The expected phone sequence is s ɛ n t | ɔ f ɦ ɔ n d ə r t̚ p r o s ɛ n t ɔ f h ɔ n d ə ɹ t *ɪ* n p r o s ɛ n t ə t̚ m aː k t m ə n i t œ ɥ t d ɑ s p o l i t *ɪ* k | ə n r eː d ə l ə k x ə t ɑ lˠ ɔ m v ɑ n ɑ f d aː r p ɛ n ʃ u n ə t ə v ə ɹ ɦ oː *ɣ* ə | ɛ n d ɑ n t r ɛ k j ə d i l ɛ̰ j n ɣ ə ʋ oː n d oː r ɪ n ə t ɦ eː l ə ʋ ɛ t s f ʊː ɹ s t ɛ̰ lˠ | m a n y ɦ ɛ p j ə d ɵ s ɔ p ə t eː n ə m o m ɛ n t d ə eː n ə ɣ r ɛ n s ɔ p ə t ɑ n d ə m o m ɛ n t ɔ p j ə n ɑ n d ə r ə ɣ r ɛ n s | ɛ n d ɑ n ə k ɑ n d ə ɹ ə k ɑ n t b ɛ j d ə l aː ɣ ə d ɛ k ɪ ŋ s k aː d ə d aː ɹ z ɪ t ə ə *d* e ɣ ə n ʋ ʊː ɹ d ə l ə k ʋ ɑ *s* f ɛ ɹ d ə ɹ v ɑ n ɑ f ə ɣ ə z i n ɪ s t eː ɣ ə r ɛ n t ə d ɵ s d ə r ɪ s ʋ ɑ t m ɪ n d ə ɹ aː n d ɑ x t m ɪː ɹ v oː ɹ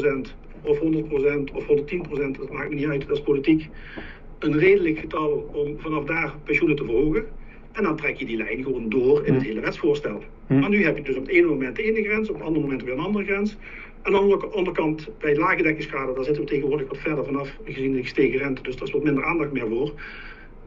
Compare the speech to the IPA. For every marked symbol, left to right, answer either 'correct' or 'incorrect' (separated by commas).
incorrect, incorrect, correct, incorrect, incorrect